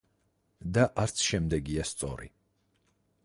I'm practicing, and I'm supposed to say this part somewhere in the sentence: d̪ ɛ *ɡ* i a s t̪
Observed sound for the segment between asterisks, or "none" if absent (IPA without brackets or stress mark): ɡ